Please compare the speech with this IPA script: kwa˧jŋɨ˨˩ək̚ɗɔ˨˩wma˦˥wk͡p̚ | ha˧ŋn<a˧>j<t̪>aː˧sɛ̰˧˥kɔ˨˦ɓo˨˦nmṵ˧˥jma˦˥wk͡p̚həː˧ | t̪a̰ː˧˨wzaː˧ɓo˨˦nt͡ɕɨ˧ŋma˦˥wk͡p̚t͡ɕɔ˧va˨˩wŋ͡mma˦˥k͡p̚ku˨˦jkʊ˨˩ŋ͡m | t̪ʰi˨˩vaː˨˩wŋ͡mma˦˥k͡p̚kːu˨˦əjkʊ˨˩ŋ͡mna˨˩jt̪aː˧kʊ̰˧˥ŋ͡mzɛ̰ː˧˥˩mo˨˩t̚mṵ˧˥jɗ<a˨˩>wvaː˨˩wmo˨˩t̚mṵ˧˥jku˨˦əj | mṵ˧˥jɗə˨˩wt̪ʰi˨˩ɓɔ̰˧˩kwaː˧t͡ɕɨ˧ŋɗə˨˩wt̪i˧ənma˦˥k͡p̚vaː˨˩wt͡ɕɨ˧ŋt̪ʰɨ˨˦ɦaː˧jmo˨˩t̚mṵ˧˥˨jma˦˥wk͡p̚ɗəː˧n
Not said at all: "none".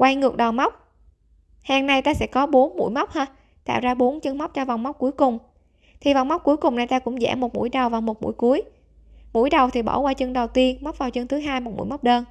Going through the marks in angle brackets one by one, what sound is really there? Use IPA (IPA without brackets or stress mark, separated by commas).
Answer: a˧, t̪, ə˨˩